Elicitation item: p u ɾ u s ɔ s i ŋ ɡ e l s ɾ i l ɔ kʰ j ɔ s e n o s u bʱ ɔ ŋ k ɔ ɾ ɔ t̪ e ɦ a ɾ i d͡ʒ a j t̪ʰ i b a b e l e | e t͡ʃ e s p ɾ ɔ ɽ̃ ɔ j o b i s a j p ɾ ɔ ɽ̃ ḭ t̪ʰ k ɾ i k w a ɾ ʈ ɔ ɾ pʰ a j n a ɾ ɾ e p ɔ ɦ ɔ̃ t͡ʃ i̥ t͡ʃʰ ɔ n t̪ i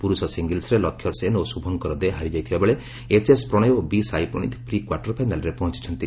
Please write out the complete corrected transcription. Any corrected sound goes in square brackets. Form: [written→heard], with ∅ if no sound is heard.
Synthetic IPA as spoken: p u ɾ u s ɔ s i ŋ ɡ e l s ɾ [i→e] l ɔ kʰ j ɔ s e n o s u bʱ ɔ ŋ k ɔ ɾ ɔ [t̪→d̪] e ɦ a ɾ i d͡ʒ a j t̪ʰ i b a b e [l→ɭ] e | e t͡ʃ e s p ɾ ɔ ɽ̃ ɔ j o b i s a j p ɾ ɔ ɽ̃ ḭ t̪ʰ [k→p] ɾ i k w a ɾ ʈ ɔ ɾ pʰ a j n a [ɾ→l] ɾ e p ɔ ɦ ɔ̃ t͡ʃ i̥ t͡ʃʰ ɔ n t̪ i